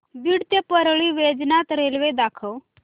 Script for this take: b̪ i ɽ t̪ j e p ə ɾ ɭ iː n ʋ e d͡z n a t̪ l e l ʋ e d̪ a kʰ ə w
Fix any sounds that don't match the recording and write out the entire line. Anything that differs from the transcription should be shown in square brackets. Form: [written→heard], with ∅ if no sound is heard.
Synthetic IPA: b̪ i ɽ t̪ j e p ə ɾ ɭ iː [n→∅] ʋ e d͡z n a t̪ [l→ɾ] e l ʋ e d̪ a kʰ ə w